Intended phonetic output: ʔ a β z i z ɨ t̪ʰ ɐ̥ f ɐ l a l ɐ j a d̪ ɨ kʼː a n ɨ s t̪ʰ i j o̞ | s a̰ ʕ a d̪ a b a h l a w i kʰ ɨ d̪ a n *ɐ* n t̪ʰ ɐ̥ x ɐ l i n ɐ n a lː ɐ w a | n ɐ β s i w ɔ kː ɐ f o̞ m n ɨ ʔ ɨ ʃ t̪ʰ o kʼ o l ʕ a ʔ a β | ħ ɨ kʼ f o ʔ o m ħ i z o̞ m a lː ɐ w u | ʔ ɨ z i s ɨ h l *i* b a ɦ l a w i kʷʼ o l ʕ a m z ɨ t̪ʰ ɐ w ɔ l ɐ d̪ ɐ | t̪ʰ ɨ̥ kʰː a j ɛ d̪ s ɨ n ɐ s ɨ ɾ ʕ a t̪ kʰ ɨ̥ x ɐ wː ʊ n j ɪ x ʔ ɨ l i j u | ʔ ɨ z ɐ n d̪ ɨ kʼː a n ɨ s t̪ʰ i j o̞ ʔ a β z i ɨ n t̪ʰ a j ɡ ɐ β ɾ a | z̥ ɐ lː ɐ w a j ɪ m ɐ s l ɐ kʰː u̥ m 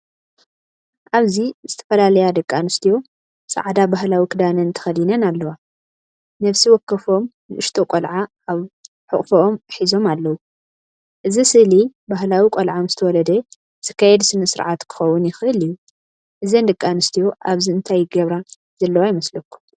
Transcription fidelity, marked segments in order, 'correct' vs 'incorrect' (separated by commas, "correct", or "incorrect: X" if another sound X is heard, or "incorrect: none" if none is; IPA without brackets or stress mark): correct, correct